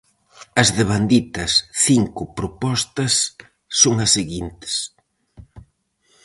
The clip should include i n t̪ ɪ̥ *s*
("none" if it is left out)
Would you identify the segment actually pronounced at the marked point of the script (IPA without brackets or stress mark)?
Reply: s